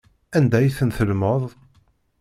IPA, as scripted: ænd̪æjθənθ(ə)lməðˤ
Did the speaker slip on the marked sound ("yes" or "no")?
no